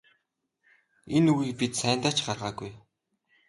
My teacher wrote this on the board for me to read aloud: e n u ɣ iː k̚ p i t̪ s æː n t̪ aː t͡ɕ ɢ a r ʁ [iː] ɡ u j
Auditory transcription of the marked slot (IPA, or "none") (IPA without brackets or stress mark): aː